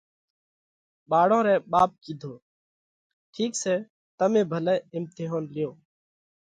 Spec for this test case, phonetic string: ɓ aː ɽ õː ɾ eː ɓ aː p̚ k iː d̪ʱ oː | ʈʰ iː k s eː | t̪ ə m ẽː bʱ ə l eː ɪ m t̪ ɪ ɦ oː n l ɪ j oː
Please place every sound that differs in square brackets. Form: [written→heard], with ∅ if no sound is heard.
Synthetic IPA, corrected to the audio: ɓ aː ɽ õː ɾ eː ɓ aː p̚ k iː d̪ʱ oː | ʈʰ iː k s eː | t̪ ə m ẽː bʱ ə l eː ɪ m t̪ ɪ ɦ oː n l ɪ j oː